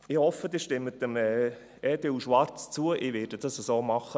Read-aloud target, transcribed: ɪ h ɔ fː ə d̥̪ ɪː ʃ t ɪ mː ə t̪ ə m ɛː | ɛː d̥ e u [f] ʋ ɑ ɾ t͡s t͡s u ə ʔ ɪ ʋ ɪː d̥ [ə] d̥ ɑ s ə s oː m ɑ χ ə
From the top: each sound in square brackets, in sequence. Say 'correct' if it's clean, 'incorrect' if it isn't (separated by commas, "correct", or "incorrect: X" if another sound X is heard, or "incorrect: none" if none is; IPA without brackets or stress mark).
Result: incorrect: ʃ, correct